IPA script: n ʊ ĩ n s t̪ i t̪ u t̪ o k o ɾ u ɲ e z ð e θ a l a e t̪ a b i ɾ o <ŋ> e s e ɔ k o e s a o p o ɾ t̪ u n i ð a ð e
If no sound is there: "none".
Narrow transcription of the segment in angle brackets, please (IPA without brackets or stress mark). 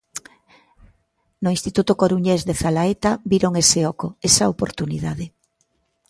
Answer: ŋ